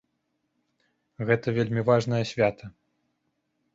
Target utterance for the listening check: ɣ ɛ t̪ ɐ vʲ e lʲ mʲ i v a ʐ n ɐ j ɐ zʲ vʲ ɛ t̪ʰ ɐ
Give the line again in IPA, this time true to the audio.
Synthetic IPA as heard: ɣ ɛ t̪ ɐ vʲ e lʲ mʲ i v a ʐ n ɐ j ɐ sʲ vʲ a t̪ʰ ɐ